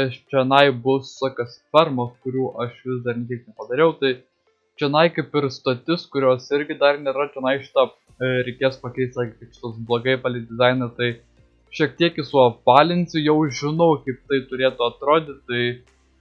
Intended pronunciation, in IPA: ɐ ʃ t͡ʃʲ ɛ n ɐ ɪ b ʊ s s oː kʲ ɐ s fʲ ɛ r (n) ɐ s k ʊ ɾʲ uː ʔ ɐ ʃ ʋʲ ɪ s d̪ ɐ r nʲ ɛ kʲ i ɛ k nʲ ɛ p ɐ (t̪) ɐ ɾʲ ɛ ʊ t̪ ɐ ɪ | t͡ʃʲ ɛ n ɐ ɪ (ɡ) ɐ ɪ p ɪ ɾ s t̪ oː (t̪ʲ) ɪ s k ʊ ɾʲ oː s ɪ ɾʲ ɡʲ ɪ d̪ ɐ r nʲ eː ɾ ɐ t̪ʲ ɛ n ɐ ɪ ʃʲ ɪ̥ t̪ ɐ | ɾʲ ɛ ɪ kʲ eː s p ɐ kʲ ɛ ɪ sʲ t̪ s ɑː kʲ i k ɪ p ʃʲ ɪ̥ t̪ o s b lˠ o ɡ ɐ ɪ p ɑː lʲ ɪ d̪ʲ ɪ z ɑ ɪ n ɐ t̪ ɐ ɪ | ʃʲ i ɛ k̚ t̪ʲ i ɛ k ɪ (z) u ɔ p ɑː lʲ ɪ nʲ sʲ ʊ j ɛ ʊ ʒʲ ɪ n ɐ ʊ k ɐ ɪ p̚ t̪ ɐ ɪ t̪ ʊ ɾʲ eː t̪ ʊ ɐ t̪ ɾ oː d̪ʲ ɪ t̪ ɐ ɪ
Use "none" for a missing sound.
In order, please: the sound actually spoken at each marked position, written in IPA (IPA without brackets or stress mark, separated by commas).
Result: m, d̪, k, t̪ʲ, s